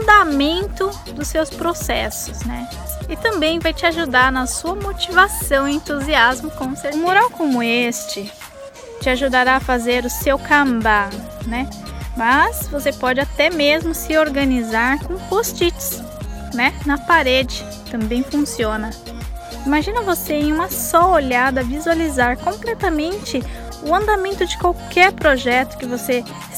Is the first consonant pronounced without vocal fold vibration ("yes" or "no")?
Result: no